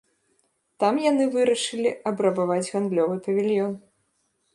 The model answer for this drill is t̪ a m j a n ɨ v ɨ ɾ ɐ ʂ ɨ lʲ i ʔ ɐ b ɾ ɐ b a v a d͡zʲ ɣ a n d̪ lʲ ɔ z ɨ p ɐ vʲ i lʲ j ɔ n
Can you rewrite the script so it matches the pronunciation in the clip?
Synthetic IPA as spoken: t̪ a m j a n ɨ v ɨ ɾ ɐ ʂ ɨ lʲ i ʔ ɐ b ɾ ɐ b a v a d͡zʲ ɣ a n d̪ lʲ ɔ v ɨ p ɐ vʲ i lʲ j ɔ n